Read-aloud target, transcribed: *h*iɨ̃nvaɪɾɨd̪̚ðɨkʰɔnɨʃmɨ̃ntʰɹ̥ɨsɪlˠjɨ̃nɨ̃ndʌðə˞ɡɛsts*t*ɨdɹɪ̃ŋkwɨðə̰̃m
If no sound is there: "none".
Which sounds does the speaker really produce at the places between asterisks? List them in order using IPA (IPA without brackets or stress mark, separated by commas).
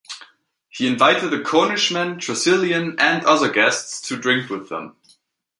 h, tʰ